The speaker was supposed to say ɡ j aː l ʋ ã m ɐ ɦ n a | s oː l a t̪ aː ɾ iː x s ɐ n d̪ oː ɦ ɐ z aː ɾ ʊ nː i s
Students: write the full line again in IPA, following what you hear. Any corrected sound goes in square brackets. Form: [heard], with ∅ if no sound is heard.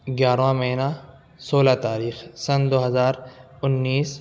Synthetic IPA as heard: ɡ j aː [ɾ] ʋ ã m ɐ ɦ n a | s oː l a t̪ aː ɾ iː x s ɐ n d̪ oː ɦ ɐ z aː ɾ ʊ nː [iː] s